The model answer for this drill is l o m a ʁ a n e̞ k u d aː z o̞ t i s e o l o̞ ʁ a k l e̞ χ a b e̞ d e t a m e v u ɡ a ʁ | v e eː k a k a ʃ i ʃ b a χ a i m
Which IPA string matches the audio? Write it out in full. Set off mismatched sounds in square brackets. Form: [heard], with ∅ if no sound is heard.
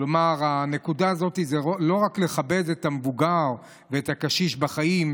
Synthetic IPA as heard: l o m a ʁ a n e̞ k u d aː z o̞ t i [z] e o l o̞ ʁ a k l e̞ χ a b e̞ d e t a m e v u ɡ a ʁ | v e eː [t] a k a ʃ i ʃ b a χ a i m